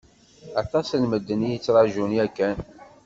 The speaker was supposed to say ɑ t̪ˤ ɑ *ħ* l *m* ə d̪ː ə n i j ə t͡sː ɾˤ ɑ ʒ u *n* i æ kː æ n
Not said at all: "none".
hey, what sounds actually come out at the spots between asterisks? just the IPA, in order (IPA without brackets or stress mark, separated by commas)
s, m, n